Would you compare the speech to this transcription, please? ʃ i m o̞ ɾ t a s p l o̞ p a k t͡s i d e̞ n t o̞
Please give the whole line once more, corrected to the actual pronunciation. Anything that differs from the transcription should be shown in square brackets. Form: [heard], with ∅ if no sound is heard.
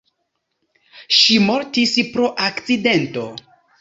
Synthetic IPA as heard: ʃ i m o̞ ɾ t [i] s p [ɾ] o̞ [ʔ] a k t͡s i d e̞ n t o̞